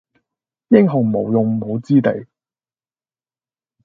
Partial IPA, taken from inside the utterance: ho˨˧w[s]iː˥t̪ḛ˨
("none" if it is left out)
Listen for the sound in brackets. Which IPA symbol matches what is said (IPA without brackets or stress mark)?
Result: t͡s